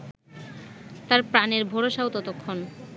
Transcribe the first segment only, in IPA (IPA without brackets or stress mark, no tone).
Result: t̪